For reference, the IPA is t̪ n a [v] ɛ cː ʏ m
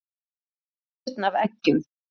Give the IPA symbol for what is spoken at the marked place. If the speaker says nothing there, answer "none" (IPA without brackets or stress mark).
v